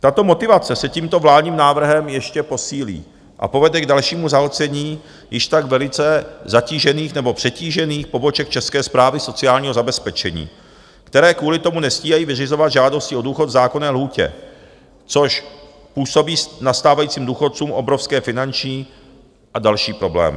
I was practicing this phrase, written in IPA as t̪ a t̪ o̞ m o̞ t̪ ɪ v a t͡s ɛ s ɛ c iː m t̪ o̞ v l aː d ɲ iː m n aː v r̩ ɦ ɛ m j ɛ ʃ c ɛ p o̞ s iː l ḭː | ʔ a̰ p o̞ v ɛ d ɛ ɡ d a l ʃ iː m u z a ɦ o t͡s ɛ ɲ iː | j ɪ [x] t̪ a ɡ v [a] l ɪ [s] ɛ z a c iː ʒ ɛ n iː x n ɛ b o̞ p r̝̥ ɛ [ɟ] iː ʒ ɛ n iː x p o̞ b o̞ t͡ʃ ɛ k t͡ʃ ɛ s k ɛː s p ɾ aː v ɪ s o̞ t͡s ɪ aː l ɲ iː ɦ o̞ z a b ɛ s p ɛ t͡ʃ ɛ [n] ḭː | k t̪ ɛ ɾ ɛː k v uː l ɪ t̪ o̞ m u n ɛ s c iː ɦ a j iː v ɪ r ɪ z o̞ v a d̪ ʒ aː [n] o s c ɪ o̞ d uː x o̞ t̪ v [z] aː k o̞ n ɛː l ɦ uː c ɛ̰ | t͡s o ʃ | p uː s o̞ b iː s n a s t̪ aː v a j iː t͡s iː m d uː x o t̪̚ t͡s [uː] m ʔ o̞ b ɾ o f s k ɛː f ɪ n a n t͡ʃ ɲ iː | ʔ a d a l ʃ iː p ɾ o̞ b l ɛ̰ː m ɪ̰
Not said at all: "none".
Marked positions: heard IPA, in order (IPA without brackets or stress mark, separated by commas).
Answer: ʃ, ɛ, t͡s, c, ɲ, d, z, uː